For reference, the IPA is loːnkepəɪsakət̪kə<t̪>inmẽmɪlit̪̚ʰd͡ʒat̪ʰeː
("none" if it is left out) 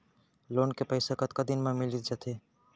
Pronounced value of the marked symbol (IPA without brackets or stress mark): d̪